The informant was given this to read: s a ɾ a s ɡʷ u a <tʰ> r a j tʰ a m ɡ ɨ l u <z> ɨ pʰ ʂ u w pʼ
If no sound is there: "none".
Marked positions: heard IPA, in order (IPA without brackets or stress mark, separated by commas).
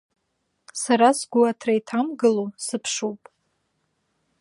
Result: tʰ, s